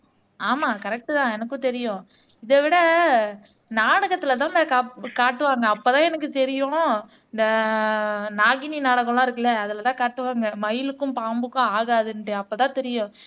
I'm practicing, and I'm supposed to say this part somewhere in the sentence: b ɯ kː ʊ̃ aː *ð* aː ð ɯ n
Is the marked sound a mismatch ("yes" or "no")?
yes